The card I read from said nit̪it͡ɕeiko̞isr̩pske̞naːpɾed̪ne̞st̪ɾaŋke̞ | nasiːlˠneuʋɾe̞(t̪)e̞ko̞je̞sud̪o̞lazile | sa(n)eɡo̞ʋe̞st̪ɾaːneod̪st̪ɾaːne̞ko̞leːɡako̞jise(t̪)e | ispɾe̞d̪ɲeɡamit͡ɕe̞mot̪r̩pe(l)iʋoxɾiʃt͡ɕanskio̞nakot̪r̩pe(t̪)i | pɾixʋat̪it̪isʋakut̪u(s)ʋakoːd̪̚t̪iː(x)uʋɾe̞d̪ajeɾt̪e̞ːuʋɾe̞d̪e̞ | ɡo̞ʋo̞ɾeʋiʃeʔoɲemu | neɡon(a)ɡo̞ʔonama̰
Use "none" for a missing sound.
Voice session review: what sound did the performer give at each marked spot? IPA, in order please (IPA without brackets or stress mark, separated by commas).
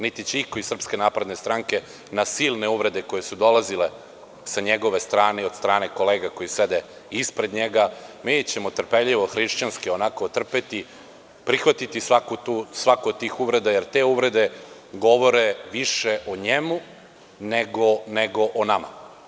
d̪, ɲ, d̪, ʎ, t̪, s, x, e